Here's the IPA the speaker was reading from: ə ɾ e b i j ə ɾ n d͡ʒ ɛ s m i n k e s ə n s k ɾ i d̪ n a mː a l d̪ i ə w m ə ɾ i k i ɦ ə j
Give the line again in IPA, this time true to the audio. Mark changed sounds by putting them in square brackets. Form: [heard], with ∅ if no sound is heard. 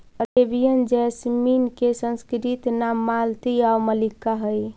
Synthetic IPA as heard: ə ɾ e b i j ə [∅] n d͡ʒ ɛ s m i n k e s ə n s k ɾ i [t̪] n a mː a l [t̪] i [a] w m ə [l] i k [a] ɦ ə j